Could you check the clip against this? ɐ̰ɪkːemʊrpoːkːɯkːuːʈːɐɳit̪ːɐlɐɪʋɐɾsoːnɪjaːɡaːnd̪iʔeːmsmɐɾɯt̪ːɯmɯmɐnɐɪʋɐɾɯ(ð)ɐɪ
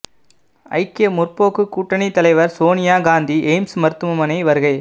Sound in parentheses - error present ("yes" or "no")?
yes